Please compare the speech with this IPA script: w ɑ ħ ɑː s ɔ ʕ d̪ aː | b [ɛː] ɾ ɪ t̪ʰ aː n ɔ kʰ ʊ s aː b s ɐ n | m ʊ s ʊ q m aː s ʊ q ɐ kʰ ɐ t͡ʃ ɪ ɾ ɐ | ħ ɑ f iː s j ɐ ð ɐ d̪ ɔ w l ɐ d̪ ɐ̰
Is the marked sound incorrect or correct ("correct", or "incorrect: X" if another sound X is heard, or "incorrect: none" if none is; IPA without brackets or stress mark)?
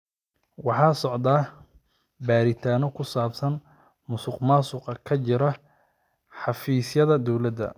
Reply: incorrect: aː